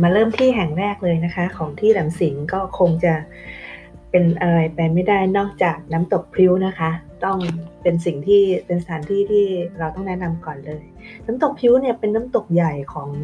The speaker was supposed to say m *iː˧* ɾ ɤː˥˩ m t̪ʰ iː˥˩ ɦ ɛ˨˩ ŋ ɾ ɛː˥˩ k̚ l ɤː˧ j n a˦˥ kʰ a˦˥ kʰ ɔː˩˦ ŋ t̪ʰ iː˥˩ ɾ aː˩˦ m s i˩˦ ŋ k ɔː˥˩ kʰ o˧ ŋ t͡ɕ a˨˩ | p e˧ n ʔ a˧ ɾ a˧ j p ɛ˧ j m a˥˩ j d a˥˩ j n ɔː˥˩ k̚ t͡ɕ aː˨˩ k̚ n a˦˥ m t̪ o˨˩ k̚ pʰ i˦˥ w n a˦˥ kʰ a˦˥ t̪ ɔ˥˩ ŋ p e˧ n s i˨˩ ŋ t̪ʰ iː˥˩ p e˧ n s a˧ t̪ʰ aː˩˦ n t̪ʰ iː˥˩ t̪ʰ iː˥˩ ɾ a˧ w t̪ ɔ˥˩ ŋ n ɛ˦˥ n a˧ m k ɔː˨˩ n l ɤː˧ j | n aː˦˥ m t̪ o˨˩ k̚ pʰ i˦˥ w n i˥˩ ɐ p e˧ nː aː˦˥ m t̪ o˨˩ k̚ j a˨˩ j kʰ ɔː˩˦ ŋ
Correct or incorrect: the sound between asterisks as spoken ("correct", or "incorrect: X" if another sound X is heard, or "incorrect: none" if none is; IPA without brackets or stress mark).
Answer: incorrect: aː˧